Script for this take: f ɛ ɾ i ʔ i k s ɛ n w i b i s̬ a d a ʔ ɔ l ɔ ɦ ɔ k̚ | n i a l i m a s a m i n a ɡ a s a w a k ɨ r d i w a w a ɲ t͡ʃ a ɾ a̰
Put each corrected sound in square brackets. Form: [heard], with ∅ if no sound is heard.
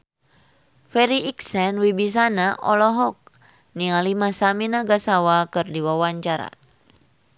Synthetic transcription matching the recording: f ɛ ɾ i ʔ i k s ɛ n w i b i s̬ a [n] a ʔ ɔ l ɔ ɦ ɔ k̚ | n i a l i m a s a m i n a ɡ a s a w a k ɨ r d i w a w a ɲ t͡ʃ a ɾ a̰